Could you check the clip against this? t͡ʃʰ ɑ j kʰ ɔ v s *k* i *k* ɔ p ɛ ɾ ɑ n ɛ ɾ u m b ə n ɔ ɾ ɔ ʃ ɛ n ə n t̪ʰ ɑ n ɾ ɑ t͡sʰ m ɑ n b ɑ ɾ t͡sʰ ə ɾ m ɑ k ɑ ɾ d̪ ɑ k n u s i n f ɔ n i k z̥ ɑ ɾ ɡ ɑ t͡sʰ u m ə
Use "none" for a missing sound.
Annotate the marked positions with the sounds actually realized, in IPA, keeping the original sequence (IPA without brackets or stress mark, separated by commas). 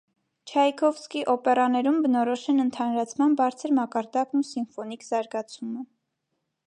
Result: k, ʔ